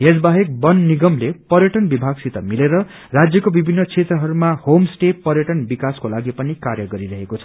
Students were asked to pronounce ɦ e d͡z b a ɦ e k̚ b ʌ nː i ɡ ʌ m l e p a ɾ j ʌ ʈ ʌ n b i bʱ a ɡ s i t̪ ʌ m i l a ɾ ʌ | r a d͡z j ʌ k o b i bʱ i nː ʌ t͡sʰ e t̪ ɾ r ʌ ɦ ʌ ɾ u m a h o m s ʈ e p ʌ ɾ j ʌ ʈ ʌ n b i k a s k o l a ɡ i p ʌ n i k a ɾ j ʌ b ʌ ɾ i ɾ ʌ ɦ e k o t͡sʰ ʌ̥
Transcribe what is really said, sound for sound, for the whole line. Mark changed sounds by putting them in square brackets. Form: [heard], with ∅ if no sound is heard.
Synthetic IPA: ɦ e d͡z b a ɦ e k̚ b ʌ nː i ɡ ʌ m l e p [ʌ] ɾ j ʌ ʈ ʌ n b i bʱ a ɡ s i t̪ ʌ m i l [e] ɾ ʌ | r a d͡z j ʌ k o b i bʱ i nː ʌ t͡sʰ e t̪ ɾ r ʌ ɦ ʌ ɾ u m a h o m s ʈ e p ʌ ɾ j ʌ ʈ ʌ n b i k a s k o l a ɡ i p ʌ n i k a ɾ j ʌ [ɡ] ʌ ɾ i ɾ ʌ ɦ e k o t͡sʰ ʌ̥